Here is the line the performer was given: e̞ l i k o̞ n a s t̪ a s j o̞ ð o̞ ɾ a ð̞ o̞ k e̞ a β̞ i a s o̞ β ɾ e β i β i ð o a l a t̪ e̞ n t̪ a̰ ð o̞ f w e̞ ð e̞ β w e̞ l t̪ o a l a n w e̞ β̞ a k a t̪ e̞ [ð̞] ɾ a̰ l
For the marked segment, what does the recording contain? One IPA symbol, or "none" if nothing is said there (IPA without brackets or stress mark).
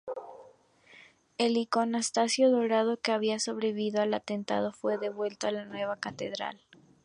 ð̞